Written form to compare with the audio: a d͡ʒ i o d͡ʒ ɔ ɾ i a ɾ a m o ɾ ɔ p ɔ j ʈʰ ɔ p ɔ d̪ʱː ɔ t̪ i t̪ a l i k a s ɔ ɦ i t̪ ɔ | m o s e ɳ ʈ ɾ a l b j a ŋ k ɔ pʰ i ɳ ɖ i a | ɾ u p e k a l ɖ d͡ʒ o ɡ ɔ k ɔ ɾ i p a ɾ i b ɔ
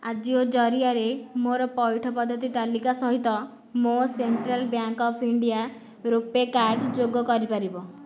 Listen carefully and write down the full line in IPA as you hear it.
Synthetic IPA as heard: a d͡ʒ i o d͡ʒ ɔ ɾ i a ɾ e m o ɾ ɔ p ɔ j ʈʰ ɔ p ɔ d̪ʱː ɔ t̪ i t̪ a l i k a s ɔ ɦ i t̪ ɔ | m o s e ɳ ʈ ɾ a l b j a ŋ k ɔ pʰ i ɳ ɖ i a | ɾ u p e k a ɾ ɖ d͡ʒ o ɡ ɔ k ɔ ɾ i p a ɾ i b ɔ

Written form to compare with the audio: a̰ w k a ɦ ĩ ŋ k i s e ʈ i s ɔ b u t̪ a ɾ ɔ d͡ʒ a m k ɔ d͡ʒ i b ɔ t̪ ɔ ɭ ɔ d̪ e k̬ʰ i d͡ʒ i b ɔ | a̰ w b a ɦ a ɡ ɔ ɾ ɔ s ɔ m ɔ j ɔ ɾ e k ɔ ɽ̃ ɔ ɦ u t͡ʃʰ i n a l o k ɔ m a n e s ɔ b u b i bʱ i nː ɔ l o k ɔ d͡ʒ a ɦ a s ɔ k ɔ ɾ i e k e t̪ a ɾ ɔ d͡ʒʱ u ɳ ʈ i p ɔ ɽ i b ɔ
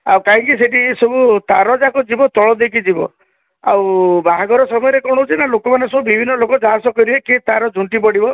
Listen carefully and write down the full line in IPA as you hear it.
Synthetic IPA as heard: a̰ w k a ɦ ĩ ŋ k i s e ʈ i s ɔ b u t̪ a ɾ ɔ d͡ʒ a k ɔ d͡ʒ i b ɔ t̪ ɔ ɭ ɔ d̪ e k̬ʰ i d͡ʒ i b ɔ | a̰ w b a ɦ a ɡ ɔ ɾ ɔ s ɔ m ɔ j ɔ ɾ e k ɔ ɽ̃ ɔ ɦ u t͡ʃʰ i n a l o k ɔ m a n e s ɔ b u b i bʱ i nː ɔ l o k ɔ d͡ʒ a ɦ a s ɔ k ɔ ɾ i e k e t̪ a ɾ ɔ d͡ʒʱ u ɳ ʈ i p ɔ ɽ i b ɔ

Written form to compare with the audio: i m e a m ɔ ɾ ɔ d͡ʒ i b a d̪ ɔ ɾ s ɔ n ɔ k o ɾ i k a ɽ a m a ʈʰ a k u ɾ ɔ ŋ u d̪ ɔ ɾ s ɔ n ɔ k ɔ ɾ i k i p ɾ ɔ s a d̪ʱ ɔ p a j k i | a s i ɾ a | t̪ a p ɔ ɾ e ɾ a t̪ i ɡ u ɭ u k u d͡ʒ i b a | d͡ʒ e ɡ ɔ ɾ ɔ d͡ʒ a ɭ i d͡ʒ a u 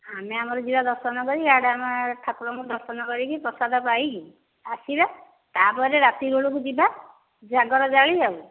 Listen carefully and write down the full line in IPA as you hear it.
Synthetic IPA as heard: a m e a m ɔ ɾ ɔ d͡ʒ i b a d̪ ɔ ɾ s ɔ n ɔ k ɔ ɾ i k a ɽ a m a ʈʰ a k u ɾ ɔ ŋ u d̪ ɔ ɾ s ɔ n ɔ k ɔ ɾ i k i p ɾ ɔ s a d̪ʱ ɔ p a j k i | a s i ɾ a | t̪ a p ɔ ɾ e ɾ a t̪ i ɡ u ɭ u k u d͡ʒ i b a | d͡ʒ a ɡ ɔ ɾ ɔ d͡ʒ a ɭ i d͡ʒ a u

